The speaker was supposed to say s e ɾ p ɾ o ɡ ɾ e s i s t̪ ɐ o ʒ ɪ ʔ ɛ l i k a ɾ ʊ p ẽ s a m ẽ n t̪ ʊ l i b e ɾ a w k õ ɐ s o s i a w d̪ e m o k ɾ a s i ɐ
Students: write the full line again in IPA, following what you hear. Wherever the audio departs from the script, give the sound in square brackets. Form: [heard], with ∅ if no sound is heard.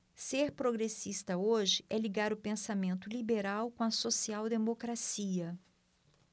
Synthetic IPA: s e ɾ p ɾ o ɡ ɾ e s i s t̪ ɐ o ʒ ɪ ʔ ɛ l i [ɡ] a ɾ ʊ p ẽ s a m ẽ n t̪ ʊ l i b e ɾ a w k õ ɐ s o s i a w d̪ e m o k ɾ a s i ɐ